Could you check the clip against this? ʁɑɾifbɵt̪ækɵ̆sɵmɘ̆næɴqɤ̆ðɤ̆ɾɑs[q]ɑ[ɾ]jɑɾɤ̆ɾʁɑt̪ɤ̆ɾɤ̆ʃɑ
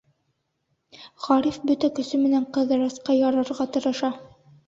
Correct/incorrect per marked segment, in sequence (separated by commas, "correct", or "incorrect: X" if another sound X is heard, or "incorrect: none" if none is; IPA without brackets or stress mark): correct, incorrect: none